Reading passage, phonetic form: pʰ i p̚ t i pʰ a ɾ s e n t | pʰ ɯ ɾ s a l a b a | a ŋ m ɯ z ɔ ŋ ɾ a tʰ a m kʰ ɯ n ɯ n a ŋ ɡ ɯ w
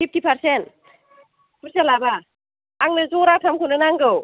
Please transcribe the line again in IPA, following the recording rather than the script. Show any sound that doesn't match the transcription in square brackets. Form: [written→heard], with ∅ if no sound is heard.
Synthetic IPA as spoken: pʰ i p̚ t i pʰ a ɾ s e n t | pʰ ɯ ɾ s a l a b a | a ŋ [m→n] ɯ z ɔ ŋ ɾ a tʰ a m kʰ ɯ n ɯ n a ŋ ɡ ɯ w

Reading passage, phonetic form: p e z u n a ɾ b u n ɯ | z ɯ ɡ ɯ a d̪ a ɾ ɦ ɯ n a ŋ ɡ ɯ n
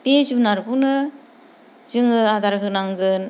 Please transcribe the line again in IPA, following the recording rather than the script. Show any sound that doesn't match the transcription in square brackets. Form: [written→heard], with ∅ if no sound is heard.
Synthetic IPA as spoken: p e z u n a ɾ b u n ɯ | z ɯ [ɡ→ŋ] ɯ a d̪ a ɾ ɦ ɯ n a ŋ ɡ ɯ n

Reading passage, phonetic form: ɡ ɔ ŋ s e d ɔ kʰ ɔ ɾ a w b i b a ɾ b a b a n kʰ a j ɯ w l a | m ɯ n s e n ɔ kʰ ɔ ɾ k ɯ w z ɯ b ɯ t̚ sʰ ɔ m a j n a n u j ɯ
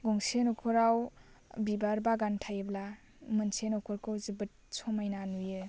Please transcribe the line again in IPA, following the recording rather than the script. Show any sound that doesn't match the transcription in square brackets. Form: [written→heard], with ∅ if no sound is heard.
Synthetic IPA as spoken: ɡ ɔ ŋ s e [d→n] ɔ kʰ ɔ ɾ a w b i b a ɾ b a [b→ɡ] a n [kʰ→tʰ] a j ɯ [w→b] l a | m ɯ n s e n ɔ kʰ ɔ ɾ k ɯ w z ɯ b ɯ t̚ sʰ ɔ m a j n a n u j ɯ

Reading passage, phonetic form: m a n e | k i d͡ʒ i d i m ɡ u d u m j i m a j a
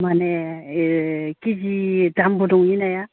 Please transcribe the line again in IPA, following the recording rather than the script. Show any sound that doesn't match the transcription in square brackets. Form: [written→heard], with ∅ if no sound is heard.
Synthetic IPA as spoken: m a n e | k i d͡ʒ i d [i→a] m [ɡ→b] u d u [m→ŋ] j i [m→n] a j a

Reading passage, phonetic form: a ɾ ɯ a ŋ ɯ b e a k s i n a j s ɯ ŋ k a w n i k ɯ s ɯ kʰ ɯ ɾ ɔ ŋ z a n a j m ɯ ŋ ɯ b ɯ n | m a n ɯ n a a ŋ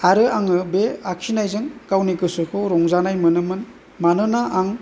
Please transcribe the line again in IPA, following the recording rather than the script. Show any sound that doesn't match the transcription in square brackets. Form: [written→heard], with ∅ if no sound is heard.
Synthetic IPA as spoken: a ɾ ɯ a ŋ ɯ b e a k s i n a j [s→z] ɯ ŋ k a w n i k ɯ s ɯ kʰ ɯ ɾ ɔ ŋ z a n a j m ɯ [ŋ→n] ɯ [b→m] ɯ n | m a n ɯ n a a ŋ

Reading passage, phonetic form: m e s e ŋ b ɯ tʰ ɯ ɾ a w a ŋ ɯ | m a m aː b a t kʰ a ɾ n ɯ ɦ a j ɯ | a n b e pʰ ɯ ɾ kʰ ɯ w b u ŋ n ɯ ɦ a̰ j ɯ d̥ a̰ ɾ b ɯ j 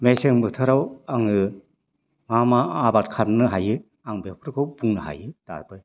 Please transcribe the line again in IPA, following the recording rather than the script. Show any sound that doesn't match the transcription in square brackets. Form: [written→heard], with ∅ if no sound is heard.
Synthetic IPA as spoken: m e s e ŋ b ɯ tʰ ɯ ɾ a w a ŋ ɯ | m a m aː b a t kʰ a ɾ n ɯ ɦ a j ɯ | a [n→ŋ] b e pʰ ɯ ɾ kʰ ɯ w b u ŋ n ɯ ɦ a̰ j ɯ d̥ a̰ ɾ b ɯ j

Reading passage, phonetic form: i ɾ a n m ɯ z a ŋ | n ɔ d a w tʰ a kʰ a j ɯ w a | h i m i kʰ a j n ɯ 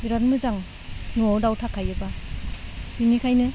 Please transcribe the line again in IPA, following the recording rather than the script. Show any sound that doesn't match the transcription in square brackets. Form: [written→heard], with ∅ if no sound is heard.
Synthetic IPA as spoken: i ɾ a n m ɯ z a ŋ | n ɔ d a w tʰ a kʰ a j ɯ [w→b] a | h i [m→n] i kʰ a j n ɯ

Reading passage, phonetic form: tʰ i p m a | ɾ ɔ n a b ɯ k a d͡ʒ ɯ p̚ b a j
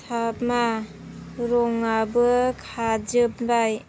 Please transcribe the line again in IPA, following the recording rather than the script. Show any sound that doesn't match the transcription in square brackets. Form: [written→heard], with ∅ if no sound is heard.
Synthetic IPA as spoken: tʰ [i→a] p m a | ɾ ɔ [n→ŋ] a b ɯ [k→kʰ] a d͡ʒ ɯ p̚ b a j

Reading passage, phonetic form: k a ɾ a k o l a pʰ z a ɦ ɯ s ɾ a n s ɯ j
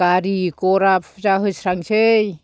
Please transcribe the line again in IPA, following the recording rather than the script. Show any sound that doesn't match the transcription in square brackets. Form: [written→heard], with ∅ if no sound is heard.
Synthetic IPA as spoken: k a ɾ [a→i] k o [l→ɾ] a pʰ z a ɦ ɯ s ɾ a [n→ŋ] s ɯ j

